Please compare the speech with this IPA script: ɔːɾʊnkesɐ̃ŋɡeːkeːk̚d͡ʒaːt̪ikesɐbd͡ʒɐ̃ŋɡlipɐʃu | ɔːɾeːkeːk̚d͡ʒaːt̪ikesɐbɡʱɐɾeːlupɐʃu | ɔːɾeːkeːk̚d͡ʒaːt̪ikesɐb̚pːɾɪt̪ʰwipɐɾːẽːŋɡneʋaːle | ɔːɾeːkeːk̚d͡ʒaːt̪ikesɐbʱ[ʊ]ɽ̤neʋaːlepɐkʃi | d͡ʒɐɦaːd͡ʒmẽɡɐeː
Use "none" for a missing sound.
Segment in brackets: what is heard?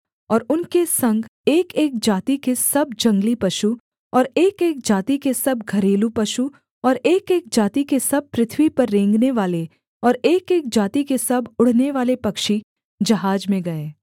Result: ʊ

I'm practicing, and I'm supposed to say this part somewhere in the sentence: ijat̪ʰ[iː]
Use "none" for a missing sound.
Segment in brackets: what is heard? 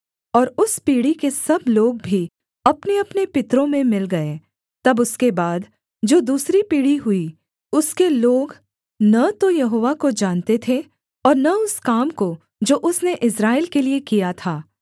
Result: aː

